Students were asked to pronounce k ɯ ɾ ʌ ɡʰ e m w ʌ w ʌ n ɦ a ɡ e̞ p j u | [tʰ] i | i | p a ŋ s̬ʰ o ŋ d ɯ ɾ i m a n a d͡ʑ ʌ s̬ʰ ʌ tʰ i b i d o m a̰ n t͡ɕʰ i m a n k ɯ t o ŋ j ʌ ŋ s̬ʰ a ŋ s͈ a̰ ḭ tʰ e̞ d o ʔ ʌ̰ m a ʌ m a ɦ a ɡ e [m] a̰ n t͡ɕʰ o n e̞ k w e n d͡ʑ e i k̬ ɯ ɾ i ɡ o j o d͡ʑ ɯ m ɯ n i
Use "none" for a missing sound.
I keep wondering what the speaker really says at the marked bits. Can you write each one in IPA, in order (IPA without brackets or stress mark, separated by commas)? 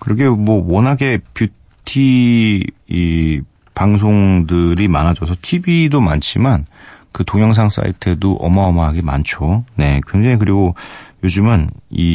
tʰ, m